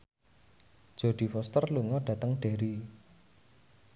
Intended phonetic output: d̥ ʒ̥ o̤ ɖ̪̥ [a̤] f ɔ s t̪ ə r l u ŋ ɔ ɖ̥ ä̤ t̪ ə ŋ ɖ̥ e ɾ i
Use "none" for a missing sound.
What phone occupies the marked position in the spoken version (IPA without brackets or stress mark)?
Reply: i̤